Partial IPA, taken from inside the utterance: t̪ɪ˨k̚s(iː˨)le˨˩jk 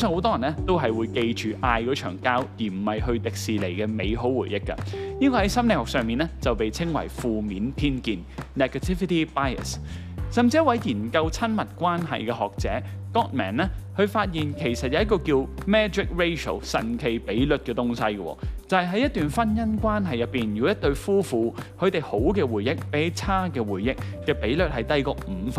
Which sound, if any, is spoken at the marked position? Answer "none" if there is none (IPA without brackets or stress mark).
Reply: iː˨